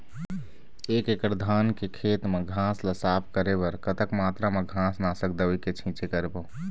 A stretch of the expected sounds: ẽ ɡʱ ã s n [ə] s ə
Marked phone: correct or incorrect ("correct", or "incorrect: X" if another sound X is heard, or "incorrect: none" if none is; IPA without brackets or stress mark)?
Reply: incorrect: a